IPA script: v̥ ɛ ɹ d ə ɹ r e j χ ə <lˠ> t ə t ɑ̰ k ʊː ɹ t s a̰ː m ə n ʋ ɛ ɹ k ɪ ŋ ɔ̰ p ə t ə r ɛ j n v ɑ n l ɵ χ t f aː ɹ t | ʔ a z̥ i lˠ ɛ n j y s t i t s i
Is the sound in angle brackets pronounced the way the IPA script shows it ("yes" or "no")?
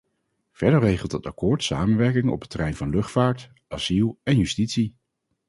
yes